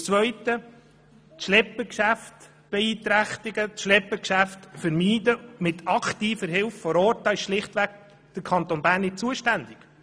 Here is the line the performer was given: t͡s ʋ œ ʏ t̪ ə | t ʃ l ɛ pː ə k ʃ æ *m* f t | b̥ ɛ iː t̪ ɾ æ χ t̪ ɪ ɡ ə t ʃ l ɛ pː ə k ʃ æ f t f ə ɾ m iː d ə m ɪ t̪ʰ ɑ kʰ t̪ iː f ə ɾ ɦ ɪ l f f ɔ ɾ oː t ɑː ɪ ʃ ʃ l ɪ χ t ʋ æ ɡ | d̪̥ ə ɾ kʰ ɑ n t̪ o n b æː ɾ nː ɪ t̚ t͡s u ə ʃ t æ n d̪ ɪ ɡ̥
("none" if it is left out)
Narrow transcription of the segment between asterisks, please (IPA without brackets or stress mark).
none